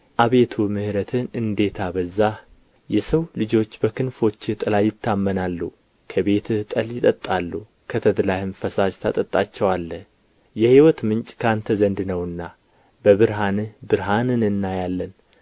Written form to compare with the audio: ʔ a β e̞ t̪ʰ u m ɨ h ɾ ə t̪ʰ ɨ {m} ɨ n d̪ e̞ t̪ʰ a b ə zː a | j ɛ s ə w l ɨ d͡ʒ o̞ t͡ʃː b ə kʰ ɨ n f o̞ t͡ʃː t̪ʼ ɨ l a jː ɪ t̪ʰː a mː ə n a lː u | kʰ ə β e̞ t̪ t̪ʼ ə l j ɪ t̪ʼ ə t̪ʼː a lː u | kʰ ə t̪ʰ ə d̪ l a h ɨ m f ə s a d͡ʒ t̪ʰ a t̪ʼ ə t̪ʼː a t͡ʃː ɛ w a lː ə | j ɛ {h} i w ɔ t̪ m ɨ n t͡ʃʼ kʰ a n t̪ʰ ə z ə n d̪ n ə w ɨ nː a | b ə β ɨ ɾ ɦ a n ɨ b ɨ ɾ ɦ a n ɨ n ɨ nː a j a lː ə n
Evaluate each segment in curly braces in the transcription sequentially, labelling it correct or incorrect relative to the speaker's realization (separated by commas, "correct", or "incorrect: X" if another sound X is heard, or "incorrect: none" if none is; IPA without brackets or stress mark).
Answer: incorrect: n, correct